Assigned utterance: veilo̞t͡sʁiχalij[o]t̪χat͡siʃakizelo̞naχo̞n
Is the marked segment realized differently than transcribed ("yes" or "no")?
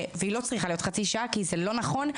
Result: no